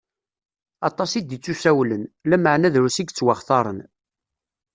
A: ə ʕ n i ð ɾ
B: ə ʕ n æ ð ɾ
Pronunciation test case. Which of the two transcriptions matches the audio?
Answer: B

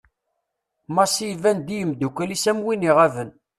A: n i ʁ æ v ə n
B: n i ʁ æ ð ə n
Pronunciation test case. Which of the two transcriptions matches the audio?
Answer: A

